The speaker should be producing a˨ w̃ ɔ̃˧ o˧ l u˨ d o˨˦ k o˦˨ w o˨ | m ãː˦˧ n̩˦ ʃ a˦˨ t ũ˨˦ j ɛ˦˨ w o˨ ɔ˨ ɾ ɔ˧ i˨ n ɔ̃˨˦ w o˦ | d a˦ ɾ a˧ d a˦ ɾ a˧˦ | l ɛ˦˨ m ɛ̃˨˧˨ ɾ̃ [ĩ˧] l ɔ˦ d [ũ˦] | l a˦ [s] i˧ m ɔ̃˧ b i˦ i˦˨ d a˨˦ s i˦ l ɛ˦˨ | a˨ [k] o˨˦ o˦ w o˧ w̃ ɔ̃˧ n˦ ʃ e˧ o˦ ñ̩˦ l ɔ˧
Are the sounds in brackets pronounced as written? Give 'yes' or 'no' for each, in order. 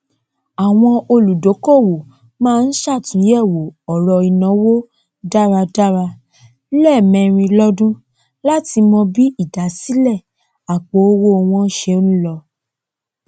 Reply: yes, yes, no, no

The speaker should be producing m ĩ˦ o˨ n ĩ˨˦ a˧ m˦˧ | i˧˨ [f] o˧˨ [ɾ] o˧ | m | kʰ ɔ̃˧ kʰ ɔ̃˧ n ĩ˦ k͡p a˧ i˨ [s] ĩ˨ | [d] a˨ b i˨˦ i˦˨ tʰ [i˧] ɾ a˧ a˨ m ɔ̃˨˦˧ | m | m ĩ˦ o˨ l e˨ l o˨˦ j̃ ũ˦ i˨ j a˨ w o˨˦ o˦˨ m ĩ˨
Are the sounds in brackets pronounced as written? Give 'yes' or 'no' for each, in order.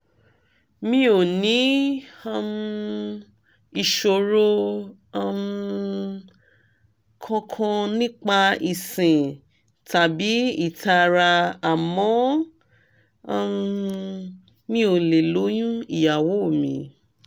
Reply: no, yes, yes, no, no

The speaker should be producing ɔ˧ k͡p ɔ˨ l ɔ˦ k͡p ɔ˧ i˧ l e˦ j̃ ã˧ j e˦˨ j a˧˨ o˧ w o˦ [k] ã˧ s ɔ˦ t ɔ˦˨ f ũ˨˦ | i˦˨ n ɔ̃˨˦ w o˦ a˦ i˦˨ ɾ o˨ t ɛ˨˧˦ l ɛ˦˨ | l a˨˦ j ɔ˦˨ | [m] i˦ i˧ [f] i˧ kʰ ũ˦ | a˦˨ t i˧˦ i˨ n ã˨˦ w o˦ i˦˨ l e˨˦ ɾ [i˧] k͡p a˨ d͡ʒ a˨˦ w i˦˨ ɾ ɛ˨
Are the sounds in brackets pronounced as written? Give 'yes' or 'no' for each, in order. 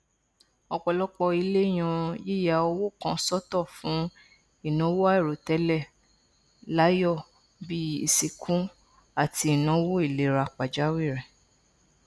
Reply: yes, no, no, no

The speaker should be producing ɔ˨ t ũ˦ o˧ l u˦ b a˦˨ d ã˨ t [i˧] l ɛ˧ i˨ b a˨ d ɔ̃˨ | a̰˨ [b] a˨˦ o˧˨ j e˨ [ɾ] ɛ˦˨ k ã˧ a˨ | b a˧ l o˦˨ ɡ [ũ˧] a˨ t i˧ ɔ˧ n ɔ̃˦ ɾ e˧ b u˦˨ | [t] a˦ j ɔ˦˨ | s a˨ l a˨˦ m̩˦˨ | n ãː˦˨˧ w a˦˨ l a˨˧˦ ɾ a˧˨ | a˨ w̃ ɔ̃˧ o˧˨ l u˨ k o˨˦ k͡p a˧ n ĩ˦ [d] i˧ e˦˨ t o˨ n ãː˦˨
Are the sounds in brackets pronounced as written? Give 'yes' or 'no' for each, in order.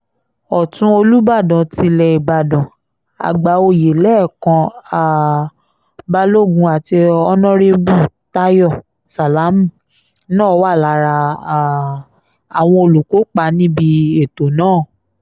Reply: yes, no, no, yes, yes, no

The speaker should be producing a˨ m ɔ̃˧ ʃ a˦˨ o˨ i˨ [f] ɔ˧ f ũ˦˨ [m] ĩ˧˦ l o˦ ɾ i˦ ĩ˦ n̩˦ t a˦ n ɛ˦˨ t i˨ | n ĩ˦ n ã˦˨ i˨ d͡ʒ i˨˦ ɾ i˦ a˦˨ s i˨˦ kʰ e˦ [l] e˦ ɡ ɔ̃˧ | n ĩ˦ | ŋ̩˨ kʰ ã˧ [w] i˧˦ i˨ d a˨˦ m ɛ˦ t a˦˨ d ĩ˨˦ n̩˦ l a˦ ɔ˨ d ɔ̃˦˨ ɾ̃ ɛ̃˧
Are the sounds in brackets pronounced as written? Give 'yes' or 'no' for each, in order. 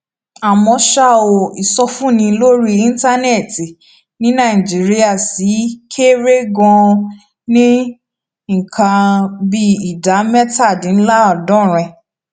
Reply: no, no, no, no

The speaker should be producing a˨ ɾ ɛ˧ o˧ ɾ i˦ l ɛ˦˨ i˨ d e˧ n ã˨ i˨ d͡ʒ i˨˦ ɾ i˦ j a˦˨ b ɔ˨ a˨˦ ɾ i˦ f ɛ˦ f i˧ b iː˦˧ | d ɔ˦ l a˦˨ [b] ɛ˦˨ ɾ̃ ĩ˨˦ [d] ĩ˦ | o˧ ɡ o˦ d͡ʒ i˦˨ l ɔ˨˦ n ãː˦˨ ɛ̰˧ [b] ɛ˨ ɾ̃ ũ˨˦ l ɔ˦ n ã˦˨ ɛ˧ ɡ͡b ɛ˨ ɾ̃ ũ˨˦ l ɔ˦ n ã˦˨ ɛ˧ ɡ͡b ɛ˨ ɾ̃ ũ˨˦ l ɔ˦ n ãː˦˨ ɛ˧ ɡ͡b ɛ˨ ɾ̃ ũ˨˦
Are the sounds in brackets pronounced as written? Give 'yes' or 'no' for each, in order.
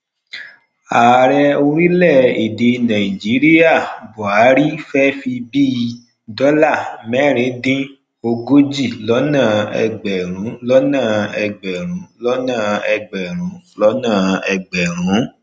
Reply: no, yes, no

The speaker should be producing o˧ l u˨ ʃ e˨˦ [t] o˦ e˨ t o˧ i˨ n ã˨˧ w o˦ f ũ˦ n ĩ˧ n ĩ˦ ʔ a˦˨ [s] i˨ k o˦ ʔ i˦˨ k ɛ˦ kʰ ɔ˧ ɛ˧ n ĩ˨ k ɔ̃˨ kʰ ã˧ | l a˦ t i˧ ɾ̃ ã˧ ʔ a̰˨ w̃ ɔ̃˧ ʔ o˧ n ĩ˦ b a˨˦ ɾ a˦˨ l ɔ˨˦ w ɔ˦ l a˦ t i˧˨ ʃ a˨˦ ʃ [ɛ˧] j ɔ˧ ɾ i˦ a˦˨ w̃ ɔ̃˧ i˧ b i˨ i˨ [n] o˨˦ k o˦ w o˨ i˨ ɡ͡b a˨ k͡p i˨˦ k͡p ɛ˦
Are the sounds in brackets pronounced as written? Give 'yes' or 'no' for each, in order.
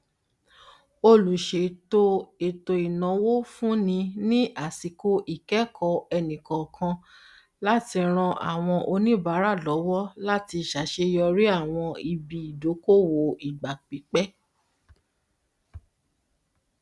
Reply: yes, yes, no, no

